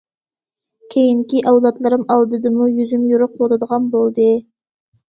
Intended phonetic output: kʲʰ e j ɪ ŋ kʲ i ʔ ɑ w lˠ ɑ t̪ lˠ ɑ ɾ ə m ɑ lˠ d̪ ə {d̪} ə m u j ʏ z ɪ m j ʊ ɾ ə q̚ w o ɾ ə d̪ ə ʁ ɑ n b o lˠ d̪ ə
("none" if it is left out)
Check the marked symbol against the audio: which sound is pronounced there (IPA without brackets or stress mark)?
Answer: d̪